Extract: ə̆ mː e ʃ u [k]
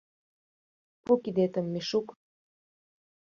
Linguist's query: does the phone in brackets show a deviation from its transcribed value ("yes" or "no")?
no